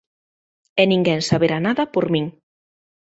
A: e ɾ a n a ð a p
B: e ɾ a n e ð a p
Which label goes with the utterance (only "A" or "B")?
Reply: A